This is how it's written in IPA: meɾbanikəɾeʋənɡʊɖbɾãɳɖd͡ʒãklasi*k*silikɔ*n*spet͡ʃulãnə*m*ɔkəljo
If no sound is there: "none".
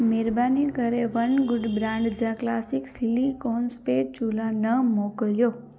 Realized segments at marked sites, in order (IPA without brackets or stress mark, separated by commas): k, n, m